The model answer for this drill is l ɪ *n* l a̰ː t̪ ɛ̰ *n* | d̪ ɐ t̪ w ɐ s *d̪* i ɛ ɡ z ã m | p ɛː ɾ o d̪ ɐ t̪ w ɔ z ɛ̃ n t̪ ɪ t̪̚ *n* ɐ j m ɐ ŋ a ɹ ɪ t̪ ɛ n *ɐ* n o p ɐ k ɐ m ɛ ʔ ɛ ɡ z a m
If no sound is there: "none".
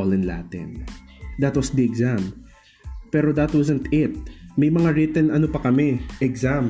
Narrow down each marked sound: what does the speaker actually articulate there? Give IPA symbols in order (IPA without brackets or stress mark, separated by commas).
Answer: n, n, d̪, m, ɐ